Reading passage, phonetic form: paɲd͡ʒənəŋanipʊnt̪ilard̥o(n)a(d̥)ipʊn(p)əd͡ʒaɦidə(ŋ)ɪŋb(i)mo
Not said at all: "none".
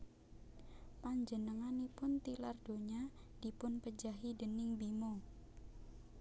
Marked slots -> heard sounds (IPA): ɲ, d̥, p, n, i

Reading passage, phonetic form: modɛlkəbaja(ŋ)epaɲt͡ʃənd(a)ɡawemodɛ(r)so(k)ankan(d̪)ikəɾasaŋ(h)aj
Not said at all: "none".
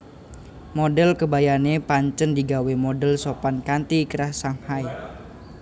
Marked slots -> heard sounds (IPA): n, i, l, p, t̪, h

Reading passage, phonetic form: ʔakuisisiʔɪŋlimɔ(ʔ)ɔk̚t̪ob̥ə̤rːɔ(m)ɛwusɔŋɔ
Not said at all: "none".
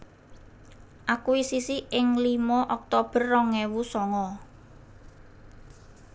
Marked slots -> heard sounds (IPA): ʔ, ŋ

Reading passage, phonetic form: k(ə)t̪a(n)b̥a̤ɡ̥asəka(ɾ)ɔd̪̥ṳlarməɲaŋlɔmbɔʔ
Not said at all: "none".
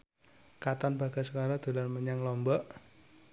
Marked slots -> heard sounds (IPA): a, n, ɾ

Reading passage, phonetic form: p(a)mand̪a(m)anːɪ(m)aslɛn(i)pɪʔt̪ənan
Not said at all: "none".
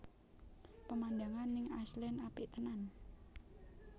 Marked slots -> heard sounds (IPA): ə, ŋ, ŋ, a

